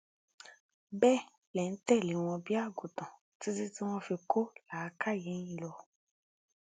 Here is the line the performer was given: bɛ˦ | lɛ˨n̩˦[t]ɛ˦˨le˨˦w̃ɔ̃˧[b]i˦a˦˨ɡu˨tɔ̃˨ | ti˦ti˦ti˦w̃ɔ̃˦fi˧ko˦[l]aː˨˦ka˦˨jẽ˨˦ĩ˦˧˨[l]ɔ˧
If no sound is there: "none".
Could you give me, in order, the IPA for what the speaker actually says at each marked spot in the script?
t, b, l, l

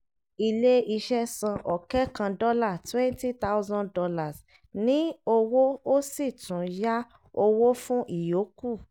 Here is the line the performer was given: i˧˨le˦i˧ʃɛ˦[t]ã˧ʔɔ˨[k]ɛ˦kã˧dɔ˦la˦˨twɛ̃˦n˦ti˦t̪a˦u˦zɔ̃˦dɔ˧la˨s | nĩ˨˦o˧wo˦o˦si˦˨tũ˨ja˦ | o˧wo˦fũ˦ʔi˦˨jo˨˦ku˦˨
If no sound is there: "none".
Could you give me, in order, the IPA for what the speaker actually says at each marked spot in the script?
s, k

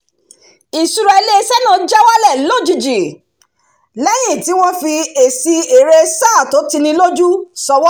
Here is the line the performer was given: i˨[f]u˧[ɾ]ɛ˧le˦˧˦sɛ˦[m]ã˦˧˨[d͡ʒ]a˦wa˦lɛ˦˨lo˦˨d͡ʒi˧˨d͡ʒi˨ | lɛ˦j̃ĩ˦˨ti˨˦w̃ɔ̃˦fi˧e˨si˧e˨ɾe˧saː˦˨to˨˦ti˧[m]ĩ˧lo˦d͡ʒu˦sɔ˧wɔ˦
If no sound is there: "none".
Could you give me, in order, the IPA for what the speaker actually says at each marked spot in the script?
s, ɾ, n, d͡ʒ, n

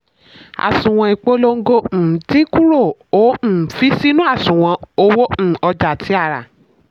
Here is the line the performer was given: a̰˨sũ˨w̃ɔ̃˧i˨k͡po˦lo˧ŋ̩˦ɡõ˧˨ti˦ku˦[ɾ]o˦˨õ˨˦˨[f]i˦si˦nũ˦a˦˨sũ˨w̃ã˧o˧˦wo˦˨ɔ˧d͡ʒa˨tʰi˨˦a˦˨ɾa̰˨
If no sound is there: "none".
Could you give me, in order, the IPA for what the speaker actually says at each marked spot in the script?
ɾ, f

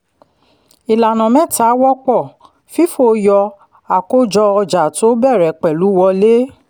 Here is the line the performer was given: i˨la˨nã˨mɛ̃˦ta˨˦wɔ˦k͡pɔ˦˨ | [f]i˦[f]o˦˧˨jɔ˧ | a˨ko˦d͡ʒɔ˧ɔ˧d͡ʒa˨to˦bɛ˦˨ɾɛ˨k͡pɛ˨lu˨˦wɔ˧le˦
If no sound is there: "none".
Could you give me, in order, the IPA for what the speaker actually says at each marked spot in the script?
f, f

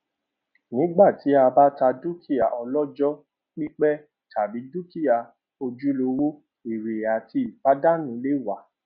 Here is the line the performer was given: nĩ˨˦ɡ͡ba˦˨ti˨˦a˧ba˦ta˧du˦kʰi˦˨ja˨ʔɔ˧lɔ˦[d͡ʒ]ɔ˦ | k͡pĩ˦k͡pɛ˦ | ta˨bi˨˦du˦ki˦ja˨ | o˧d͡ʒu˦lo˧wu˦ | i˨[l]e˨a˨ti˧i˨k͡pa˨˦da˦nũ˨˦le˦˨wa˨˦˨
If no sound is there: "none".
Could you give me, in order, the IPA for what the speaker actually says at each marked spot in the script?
d͡ʒ, ɾ

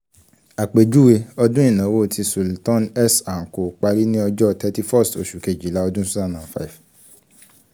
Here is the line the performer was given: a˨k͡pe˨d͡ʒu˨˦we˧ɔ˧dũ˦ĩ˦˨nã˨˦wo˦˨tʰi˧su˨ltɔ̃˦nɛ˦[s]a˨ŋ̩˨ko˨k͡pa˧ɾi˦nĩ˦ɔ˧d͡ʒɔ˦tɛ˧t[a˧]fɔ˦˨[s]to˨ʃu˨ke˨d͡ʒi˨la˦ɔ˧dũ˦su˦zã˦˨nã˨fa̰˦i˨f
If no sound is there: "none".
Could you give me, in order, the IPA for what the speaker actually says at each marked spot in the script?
s, i˧, s

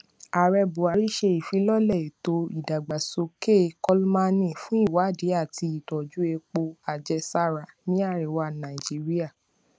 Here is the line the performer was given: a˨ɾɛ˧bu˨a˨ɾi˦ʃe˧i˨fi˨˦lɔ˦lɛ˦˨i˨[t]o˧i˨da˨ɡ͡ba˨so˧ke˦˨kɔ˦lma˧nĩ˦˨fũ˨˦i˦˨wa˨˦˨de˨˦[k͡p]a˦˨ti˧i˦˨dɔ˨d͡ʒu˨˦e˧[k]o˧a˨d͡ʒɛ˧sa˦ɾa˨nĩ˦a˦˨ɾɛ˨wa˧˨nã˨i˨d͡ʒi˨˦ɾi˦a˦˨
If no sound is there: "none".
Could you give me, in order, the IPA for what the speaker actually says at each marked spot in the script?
t, none, k͡p

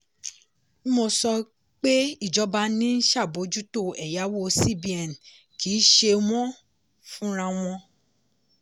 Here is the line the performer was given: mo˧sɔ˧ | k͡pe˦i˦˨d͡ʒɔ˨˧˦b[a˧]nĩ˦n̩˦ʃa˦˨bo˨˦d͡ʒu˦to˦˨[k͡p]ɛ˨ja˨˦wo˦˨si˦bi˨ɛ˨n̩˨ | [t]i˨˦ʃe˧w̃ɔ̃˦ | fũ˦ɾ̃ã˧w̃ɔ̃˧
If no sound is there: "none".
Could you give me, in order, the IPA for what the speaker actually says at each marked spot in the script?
a˧, none, k

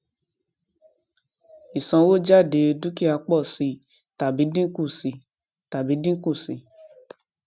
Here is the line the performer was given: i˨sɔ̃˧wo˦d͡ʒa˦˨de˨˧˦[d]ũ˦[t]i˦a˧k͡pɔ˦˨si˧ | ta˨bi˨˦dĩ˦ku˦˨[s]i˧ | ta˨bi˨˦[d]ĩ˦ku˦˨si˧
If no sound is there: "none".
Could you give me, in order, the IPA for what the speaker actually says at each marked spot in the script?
d, k, s, d

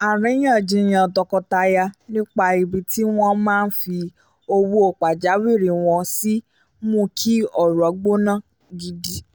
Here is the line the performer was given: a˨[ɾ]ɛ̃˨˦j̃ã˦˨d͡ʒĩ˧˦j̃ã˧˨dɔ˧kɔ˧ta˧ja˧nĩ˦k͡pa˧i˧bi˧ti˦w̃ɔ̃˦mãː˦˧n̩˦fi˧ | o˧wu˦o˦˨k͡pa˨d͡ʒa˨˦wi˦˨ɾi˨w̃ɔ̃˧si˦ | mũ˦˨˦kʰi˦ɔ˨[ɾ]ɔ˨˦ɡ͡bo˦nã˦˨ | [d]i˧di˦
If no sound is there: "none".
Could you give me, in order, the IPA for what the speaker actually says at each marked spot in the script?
ɾ, ɾ, ɡ

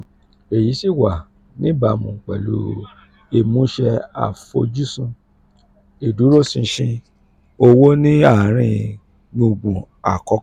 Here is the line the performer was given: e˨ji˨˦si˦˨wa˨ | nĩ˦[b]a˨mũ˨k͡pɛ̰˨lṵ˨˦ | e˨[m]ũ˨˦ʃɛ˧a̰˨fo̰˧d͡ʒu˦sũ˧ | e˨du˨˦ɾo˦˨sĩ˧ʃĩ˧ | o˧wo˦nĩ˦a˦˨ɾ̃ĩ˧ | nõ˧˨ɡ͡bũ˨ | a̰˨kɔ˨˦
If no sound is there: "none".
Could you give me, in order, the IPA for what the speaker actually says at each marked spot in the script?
b, m

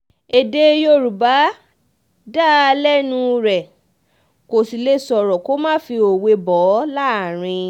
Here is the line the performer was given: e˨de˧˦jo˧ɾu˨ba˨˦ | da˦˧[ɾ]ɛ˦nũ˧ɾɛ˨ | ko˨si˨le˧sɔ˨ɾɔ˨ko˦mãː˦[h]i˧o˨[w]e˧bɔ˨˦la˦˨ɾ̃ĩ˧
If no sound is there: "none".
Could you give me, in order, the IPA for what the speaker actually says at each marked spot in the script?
l, f, w

